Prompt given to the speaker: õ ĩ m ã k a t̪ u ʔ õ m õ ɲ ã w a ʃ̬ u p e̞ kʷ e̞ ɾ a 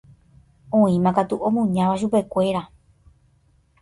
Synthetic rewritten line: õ ĩ m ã k a t̪ u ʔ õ m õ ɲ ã ʋ a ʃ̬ u p e̞ kʷ e̞ ɾ a